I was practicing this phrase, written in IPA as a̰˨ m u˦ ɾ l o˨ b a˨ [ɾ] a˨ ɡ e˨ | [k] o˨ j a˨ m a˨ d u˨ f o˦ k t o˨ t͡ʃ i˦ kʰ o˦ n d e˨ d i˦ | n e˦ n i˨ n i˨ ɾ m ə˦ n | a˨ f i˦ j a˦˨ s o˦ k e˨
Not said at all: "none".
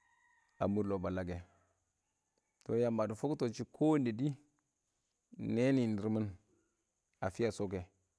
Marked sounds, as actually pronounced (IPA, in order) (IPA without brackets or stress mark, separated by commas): l, t